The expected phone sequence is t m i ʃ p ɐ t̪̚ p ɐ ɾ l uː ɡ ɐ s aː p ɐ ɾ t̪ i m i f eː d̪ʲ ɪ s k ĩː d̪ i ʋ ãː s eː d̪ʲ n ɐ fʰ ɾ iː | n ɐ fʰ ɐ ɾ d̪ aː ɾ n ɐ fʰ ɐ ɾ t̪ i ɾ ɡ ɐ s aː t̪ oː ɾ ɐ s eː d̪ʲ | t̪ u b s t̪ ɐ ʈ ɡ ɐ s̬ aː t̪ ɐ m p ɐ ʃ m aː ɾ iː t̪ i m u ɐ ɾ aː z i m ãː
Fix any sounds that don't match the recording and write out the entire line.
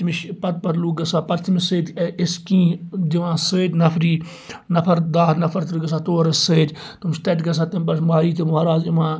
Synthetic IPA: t m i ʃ p ɐ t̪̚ p ɐ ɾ l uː ɡ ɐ s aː p ɐ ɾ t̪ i m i s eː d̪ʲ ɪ s k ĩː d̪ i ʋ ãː s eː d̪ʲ n ɐ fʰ ɾ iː | n ɐ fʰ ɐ ɾ d̪ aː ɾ n ɐ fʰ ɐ ɾ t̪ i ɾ ɡ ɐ s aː t̪ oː ɾ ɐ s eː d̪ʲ | t̪ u m s t̪ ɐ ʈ ɡ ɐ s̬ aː t̪ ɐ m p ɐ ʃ m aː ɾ iː t̪ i m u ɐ ɾ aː z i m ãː